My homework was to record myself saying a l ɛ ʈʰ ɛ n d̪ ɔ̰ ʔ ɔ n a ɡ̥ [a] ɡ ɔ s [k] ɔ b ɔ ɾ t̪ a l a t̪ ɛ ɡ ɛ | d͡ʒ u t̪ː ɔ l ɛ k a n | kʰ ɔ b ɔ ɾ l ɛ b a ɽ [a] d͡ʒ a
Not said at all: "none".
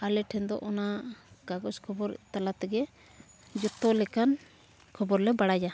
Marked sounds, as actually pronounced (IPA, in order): a, kʰ, a

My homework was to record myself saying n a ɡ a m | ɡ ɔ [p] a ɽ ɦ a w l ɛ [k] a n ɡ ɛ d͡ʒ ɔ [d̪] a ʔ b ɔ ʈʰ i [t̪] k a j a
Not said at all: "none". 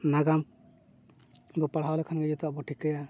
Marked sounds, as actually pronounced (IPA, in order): p, kʰ, t̪, none

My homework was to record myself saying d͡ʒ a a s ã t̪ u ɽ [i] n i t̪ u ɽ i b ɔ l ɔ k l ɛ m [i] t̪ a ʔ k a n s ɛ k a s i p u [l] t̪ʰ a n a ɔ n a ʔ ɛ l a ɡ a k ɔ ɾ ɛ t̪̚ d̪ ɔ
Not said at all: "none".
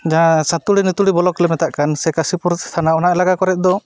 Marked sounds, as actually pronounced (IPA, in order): i, ɛ, ɾ

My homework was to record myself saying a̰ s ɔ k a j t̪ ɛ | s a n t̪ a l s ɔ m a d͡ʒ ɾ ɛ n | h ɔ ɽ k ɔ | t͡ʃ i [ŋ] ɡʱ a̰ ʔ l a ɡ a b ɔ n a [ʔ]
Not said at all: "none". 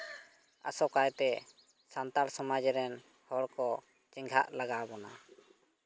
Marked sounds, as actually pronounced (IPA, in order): ŋ, none

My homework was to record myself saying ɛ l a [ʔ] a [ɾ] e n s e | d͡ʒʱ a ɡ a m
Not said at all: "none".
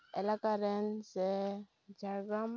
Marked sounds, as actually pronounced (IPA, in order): k, ɾ

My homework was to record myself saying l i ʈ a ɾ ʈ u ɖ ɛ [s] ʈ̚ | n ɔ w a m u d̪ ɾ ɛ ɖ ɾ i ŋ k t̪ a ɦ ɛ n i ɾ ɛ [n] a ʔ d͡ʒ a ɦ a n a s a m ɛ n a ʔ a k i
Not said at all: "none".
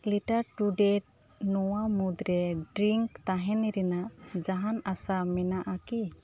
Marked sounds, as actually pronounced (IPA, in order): none, n

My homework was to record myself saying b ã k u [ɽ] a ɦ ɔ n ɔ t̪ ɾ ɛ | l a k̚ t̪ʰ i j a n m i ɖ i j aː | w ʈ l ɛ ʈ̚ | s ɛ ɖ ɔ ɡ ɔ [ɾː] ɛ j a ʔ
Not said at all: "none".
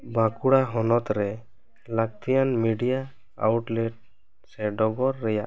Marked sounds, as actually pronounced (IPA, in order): ɽ, ɾː

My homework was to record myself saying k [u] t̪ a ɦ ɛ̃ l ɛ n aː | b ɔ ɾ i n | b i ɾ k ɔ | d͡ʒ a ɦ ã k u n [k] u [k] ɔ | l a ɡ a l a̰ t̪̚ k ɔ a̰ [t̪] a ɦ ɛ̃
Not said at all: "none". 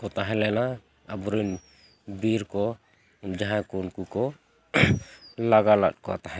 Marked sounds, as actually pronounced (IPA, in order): ɔ, k, k, t̪

